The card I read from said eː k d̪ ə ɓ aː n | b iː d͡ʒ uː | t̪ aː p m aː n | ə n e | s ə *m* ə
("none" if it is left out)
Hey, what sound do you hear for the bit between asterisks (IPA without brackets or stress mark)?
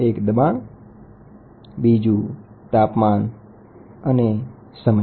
m